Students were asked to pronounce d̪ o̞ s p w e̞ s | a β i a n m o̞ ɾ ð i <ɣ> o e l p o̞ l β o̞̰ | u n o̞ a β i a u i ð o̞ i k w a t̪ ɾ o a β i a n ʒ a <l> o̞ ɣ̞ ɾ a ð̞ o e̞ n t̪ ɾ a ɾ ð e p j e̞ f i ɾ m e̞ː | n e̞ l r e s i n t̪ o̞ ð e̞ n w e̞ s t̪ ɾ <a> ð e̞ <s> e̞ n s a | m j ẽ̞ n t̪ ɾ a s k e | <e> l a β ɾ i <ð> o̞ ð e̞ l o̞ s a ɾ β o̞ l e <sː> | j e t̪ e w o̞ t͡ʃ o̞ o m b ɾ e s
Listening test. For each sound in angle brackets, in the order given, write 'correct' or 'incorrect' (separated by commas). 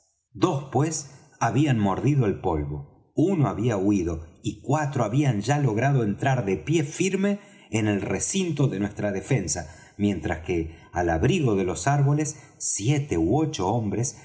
incorrect, correct, correct, incorrect, incorrect, incorrect, correct